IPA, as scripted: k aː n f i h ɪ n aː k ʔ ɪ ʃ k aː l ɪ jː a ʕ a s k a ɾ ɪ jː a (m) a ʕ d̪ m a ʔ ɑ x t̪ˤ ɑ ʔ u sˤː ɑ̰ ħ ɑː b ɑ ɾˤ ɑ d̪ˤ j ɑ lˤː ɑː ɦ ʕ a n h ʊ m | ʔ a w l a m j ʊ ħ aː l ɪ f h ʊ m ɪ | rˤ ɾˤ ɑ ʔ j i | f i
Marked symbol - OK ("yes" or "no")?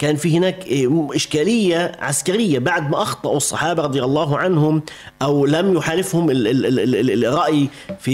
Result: no